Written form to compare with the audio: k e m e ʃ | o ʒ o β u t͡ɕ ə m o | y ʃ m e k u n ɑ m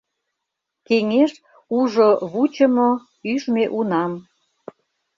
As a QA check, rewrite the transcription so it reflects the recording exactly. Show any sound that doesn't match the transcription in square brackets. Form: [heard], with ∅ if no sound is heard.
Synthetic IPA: k e [ŋ] e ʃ | [u] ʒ o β u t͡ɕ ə m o | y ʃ m e [ʔ] u n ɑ m